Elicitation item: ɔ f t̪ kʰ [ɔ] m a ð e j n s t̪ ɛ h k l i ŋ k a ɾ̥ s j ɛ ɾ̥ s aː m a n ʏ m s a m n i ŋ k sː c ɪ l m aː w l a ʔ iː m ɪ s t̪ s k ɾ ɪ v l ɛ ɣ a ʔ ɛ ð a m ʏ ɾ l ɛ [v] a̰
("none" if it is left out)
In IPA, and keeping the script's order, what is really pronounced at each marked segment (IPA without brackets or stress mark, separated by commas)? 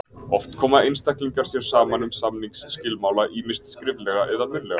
ɔː, ɣ